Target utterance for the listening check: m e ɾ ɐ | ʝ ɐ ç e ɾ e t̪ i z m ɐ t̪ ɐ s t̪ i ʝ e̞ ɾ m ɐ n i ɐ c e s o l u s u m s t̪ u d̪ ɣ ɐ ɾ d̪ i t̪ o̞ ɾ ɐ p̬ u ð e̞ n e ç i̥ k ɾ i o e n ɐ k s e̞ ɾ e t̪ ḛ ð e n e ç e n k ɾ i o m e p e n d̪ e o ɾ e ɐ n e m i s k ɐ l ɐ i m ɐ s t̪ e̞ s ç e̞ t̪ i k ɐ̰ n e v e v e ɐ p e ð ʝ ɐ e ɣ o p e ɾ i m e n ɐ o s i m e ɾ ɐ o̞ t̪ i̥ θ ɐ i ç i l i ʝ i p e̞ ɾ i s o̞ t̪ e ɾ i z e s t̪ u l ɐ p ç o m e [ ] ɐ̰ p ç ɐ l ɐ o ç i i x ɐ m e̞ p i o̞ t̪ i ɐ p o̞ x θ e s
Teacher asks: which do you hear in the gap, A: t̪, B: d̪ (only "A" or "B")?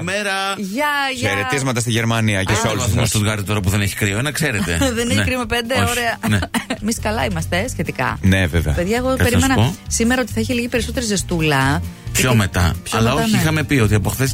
A